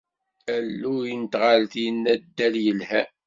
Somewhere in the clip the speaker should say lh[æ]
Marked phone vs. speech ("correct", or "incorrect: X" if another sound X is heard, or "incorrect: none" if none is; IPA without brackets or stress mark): correct